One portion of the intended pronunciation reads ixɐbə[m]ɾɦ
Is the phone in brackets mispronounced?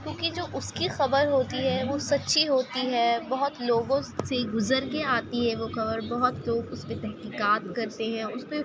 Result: yes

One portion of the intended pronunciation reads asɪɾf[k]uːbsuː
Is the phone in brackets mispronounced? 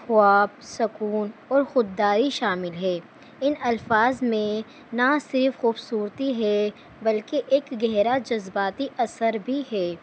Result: yes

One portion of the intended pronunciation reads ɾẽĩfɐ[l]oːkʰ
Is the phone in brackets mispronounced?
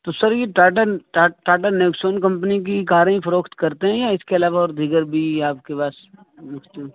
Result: yes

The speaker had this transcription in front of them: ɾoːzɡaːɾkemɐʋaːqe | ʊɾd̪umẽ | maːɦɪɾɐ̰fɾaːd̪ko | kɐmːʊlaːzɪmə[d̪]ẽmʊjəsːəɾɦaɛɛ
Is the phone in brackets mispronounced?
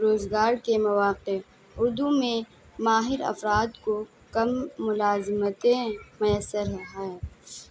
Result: yes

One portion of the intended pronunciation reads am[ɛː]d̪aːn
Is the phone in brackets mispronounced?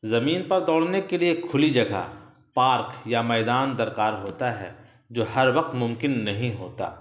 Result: no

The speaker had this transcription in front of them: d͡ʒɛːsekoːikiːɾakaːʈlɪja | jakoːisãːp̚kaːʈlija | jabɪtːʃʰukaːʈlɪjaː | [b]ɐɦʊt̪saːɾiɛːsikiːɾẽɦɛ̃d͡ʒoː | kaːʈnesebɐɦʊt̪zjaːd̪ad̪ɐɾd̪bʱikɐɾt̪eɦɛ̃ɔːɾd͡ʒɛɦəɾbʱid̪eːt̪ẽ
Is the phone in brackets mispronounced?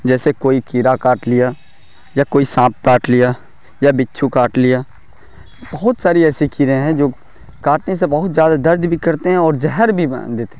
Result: no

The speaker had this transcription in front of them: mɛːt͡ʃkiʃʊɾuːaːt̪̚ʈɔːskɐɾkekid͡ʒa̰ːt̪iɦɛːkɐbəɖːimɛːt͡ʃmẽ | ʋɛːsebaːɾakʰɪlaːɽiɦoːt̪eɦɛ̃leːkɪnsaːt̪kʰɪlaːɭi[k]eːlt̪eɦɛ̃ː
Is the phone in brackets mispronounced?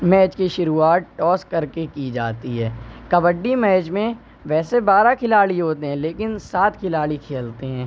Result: yes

